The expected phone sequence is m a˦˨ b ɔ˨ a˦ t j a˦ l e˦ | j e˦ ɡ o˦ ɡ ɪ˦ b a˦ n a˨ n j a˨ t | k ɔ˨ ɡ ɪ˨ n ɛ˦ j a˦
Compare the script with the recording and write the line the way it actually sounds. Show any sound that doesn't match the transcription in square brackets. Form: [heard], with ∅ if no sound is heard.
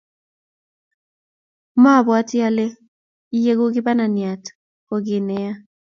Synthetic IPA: m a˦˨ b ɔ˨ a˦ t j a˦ l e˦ | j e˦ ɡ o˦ ɡ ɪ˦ b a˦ n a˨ n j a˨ t | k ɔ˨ ɡ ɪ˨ n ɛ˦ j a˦